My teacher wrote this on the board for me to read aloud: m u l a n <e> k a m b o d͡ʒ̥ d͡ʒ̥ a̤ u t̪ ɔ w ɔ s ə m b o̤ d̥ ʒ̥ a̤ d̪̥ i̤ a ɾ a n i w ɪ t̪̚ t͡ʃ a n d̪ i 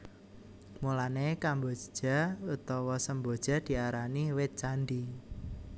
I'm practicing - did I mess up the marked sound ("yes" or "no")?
no